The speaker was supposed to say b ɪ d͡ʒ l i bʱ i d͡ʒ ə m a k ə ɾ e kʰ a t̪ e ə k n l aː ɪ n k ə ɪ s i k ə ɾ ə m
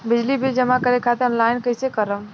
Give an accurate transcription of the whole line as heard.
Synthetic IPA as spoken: b ɪ d͡ʒ l i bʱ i d͡ʒ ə m a k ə ɾ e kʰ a t̪ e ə n l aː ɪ n k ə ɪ s e k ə ɾ ə m